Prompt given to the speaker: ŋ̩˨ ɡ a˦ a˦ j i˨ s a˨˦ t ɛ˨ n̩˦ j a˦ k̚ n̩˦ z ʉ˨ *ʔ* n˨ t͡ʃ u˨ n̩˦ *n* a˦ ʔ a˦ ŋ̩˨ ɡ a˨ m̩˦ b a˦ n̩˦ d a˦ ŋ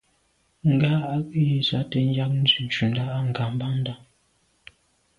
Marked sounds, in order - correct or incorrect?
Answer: incorrect: none, incorrect: d

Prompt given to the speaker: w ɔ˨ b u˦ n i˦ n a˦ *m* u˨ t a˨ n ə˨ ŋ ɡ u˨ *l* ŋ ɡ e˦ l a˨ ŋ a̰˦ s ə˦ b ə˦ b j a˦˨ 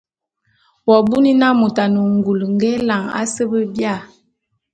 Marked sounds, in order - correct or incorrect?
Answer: correct, correct

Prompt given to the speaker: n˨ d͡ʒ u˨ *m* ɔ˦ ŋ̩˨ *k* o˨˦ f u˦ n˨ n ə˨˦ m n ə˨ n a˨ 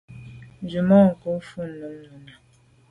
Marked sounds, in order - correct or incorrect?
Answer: correct, correct

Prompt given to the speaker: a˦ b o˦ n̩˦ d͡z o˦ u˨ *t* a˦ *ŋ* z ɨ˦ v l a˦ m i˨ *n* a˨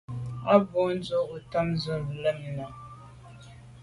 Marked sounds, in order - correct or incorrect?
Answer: correct, incorrect: m, correct

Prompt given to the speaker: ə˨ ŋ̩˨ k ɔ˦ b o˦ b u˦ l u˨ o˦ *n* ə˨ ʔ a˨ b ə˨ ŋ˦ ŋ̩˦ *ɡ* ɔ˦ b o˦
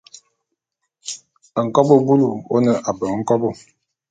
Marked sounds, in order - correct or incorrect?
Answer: correct, incorrect: k

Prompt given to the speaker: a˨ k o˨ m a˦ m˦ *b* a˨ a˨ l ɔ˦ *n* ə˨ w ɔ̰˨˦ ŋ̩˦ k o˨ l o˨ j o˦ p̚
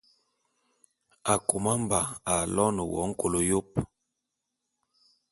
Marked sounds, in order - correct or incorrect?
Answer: correct, correct

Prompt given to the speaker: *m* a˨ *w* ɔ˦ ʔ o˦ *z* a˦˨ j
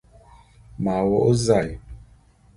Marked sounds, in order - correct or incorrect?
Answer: correct, correct, correct

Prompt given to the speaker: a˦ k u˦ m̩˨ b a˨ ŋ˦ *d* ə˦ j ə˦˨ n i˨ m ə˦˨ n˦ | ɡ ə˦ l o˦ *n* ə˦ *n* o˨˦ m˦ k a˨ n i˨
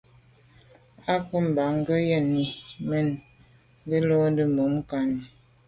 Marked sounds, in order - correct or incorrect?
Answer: incorrect: ɡ, incorrect: d, incorrect: m

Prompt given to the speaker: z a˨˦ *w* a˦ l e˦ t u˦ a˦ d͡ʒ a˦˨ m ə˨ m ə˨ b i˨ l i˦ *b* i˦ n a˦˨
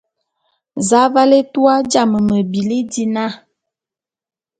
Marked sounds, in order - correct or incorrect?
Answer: incorrect: v, incorrect: d

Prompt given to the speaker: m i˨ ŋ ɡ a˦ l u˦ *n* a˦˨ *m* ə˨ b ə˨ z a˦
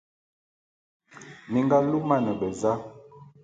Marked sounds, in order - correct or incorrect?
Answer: incorrect: m, incorrect: n

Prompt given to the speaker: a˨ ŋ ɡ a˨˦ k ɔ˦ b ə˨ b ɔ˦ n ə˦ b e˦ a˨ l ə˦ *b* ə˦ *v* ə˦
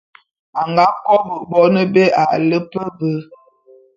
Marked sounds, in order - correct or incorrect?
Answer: incorrect: p, incorrect: b

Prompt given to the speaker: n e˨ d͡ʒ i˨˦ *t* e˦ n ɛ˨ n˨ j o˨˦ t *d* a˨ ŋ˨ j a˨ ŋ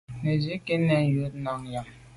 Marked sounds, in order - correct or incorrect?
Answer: incorrect: k, incorrect: n

